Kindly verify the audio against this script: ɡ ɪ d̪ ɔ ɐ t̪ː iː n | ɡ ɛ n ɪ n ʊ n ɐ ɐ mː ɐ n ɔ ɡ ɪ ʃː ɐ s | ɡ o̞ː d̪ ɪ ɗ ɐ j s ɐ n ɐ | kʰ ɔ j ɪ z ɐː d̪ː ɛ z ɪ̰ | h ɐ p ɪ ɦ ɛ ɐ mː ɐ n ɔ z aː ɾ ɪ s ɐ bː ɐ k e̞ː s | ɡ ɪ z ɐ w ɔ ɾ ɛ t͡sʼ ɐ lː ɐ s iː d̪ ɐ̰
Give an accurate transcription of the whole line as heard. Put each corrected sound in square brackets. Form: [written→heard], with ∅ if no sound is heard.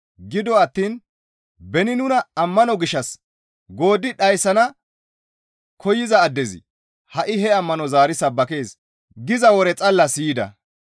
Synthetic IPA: ɡ ɪ d̪ ɔ ɐ t̪ː iː n | [ɡ→b] ɛ n ɪ n ʊ n ɐ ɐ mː ɐ n ɔ ɡ ɪ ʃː ɐ s | ɡ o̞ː d̪ ɪ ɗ ɐ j s ɐ n ɐ | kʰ ɔ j ɪ z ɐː d̪ː ɛ z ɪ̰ | h ɐ [p→ʔ] ɪ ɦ ɛ ɐ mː ɐ n ɔ z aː ɾ ɪ s ɐ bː ɐ k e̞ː s | ɡ ɪ z ɐ w ɔ ɾ ɛ t͡sʼ ɐ lː ɐ s iː d̪ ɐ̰